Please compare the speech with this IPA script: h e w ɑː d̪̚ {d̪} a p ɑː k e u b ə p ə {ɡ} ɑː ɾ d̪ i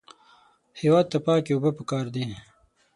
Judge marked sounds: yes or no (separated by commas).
no, no